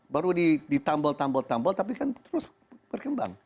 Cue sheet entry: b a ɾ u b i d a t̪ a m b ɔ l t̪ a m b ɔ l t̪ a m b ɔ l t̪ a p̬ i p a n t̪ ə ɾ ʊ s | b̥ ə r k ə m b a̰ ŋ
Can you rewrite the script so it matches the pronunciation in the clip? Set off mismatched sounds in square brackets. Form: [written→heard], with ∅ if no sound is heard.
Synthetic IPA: b a ɾ u [b→d] i d [a→i] t̪ a m b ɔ l t̪ a m b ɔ l t̪ a m b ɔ l t̪ a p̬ i [p→k] a n t̪ ə ɾ ʊ s | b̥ ə r k ə m b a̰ ŋ